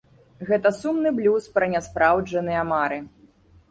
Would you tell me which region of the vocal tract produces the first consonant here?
velum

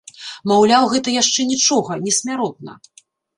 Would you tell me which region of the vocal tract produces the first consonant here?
lips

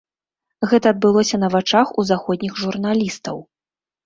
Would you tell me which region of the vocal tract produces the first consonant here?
velum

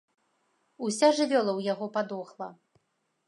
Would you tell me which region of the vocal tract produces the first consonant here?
tongue tip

